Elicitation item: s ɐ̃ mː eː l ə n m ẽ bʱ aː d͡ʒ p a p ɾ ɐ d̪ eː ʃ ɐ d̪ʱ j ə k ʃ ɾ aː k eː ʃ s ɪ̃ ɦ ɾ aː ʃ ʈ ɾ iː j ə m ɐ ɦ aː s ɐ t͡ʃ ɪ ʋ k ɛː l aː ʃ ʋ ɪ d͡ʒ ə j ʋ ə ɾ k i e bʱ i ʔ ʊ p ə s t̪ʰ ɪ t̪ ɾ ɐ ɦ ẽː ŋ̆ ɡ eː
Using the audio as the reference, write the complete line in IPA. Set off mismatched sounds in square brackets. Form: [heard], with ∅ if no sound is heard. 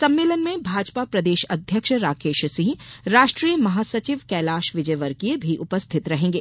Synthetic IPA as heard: s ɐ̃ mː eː l ə n m ẽ bʱ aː d͡ʒ p a p ɾ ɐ d̪ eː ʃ ɐ d̪ʱ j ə k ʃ ɾ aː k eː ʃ s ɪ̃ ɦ ɾ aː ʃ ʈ ɾ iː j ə m ɐ ɦ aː s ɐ t͡ʃ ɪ ʋ k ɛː l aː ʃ ʋ ɪ d͡ʒ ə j ʋ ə ɾ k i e bʱ i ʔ ʊ p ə s t̪ʰ ɪ t̪ ɾ ɐ ɦ ẽː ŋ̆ ɡ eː